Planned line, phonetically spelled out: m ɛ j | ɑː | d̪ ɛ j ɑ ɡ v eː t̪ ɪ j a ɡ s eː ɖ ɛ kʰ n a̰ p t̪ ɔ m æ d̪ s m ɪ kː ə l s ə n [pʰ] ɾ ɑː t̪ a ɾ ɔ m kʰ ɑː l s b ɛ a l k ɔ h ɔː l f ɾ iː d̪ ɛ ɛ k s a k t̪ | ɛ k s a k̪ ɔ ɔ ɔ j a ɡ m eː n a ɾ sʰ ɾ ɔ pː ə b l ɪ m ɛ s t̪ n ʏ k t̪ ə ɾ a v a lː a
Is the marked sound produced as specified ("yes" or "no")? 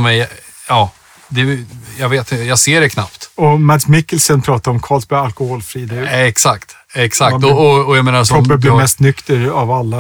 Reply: yes